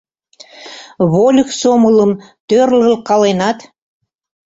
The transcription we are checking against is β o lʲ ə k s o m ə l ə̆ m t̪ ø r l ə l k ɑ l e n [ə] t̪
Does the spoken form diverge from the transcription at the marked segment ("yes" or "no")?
yes